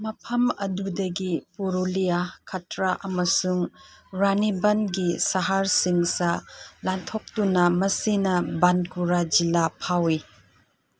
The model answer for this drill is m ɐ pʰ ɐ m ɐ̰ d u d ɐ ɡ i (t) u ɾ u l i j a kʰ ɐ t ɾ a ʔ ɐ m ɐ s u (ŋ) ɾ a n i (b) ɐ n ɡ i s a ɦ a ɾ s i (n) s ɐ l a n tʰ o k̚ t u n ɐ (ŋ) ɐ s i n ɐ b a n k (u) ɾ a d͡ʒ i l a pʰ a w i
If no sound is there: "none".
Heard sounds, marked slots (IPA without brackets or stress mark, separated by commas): p, ŋ, b, ŋ, m, u